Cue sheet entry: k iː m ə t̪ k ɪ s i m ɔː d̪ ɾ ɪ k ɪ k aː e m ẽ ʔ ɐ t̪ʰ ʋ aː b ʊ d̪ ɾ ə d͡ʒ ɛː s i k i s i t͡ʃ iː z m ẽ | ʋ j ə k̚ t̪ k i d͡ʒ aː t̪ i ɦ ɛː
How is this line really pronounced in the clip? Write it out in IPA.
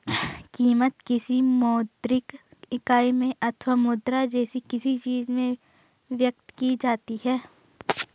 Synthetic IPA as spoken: k iː m ə t̪ k ɪ s i m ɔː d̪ ɾ ɪ k ɪ k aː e m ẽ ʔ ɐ t̪ʰ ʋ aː m ʊ d̪ ɾ a d͡ʒ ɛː s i k ɪ s i t͡ʃ iː z m ẽ | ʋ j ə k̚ t̪ k i d͡ʒ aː t̪ i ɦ ɛː